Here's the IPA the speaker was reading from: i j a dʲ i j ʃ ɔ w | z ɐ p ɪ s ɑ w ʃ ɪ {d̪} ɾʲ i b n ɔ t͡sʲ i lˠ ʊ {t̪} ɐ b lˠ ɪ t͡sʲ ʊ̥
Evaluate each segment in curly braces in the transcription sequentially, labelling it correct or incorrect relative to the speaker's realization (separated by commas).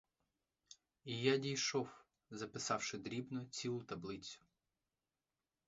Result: correct, correct